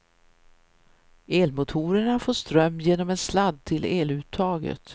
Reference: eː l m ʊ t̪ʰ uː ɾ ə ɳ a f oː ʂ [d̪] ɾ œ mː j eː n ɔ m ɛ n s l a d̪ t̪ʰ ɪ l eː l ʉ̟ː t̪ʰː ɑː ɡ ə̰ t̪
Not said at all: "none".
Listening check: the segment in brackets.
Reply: t̪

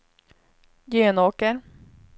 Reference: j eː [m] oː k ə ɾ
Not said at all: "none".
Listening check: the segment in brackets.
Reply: n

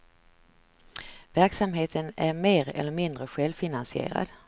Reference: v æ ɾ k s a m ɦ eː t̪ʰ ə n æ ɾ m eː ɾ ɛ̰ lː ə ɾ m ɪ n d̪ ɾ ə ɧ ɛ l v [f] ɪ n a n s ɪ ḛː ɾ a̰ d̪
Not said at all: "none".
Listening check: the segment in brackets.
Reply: f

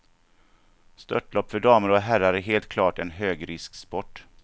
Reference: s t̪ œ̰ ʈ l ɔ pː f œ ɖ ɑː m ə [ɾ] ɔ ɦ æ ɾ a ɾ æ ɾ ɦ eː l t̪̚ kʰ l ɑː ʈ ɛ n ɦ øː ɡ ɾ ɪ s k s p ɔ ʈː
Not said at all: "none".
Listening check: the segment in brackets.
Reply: ɾ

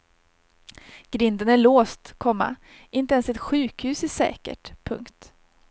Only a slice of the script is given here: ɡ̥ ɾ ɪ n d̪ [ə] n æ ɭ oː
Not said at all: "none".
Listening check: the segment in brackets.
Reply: ə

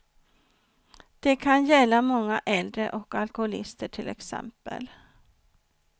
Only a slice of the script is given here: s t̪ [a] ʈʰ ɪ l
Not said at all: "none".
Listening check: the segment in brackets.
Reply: ə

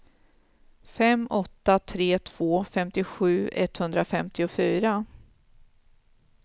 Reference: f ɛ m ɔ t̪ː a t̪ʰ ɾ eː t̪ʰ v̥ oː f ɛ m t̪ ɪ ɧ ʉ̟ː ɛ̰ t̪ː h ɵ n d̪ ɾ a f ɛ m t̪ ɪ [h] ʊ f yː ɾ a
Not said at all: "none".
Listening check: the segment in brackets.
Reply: none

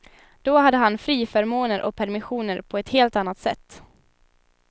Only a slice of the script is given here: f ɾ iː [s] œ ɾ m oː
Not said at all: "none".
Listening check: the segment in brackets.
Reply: f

